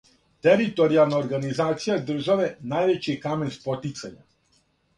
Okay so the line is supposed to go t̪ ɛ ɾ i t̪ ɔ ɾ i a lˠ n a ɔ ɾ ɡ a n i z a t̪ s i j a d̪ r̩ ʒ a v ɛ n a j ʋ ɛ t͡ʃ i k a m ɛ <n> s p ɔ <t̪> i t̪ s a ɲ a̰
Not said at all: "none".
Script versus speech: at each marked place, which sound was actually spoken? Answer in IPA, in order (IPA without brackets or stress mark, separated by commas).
n, t̪